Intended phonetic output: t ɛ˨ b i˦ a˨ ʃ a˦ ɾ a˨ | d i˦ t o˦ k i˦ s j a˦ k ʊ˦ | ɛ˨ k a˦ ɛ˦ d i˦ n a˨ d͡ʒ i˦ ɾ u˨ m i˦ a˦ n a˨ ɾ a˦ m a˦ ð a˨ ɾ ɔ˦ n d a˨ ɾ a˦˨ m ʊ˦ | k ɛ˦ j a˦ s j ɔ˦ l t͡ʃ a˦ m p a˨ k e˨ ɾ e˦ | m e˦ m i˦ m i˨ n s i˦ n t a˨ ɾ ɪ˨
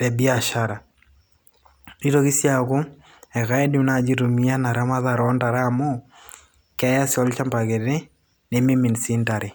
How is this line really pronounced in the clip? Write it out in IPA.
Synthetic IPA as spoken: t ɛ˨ b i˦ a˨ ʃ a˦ ɾ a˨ | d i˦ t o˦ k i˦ s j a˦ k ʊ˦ | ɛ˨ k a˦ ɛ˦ d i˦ n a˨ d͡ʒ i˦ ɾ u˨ m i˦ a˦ n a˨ ɾ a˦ m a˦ ð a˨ ɾ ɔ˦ n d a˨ ɾ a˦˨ m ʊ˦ | k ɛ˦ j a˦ s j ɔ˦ l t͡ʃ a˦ m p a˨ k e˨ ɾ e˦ | n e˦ m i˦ m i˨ n s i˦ n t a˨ ɾ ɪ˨